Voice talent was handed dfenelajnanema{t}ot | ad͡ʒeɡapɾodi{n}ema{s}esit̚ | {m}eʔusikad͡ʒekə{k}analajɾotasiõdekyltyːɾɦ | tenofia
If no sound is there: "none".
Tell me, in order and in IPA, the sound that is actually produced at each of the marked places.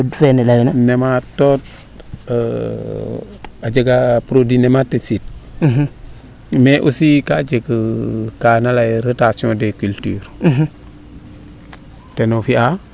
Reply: t, n, t, m, k

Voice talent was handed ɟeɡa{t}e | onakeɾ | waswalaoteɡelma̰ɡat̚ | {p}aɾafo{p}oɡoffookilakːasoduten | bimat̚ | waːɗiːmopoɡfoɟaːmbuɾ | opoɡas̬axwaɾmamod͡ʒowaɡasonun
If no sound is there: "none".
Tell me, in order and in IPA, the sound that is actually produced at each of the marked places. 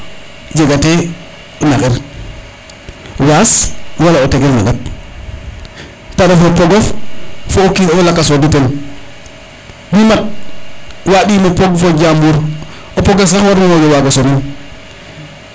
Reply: t, p, p

